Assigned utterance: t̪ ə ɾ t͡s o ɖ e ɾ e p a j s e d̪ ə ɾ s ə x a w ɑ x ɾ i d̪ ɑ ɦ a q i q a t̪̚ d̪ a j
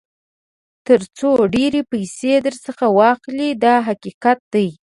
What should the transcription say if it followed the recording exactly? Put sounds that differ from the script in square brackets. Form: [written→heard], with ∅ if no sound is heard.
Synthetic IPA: t̪ ə ɾ t͡s o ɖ e ɾ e p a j s e d̪ ə ɾ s ə x a w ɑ x [ɾ→l] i d̪ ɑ ɦ a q i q a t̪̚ d̪ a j